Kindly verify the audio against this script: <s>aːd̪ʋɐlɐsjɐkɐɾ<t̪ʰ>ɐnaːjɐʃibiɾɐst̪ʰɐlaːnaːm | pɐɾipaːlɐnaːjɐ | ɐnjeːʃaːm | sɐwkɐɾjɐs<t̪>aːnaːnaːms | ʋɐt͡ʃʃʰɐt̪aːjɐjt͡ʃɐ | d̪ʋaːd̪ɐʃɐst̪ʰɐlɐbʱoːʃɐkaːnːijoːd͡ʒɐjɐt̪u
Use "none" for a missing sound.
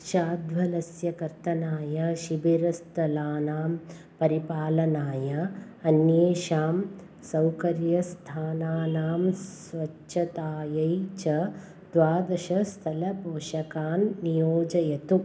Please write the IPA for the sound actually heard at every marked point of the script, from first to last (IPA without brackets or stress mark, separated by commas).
ʃ, t̪, t̪ʰ